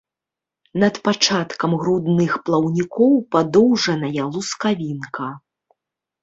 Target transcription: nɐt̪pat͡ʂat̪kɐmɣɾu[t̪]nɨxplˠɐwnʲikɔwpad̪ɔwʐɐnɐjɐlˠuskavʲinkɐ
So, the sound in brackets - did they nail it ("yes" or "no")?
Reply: no